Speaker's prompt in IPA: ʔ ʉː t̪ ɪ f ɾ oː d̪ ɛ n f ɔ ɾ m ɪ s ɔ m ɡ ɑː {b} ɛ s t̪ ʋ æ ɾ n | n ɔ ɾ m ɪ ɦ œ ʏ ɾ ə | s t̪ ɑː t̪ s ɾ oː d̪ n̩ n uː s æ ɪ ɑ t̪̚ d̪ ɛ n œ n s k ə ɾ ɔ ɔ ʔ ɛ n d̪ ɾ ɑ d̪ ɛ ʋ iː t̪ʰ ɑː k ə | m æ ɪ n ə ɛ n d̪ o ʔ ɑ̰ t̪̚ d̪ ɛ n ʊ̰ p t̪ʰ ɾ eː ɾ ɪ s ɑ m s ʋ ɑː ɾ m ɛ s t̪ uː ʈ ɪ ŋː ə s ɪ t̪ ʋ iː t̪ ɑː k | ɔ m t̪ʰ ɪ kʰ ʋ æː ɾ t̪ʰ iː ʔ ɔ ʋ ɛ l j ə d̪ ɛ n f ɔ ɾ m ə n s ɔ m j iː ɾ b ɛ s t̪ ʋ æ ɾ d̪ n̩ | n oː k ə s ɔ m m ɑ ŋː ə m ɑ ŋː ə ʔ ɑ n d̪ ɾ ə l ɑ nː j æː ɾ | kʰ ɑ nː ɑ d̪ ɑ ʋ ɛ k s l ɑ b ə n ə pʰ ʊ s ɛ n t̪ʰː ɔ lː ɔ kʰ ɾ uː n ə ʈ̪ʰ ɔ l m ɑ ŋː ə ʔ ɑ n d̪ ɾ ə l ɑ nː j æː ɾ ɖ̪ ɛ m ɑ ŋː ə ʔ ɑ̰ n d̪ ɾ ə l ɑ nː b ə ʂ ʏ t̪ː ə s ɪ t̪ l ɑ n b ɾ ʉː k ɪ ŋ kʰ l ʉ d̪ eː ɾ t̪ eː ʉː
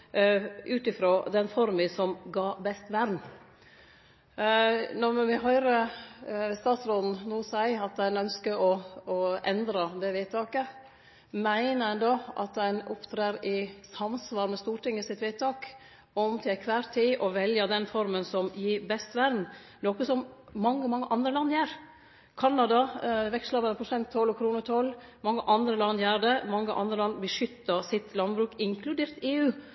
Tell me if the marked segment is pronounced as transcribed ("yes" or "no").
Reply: yes